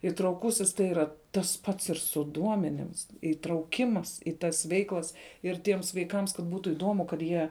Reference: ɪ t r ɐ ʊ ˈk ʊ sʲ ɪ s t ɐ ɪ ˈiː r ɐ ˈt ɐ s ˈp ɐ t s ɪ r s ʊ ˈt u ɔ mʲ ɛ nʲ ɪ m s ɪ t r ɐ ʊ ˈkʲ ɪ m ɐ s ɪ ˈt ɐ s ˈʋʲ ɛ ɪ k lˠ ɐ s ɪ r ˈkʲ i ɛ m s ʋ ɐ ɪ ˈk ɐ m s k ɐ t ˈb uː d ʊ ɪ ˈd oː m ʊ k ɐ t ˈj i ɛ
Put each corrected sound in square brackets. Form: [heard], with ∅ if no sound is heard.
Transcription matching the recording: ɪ t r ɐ ʊ ˈk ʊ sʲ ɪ s t ɐ ɪ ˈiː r ɐ ˈt ɐ s ˈp ɐ t s ɪ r s ʊ [ˈd] u ɔ mʲ ɛ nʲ ɪ m s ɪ t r ɐ ʊ ˈkʲ ɪ m ɐ s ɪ ˈt ɐ s ˈʋʲ ɛ ɪ k lˠ ɐ s ɪ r [ˈtʲ] i ɛ m s ʋ ɐ ɪ ˈk ɐ m s k ɐ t ˈb uː [t] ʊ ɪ ˈd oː m ʊ k ɐ t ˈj i ɛ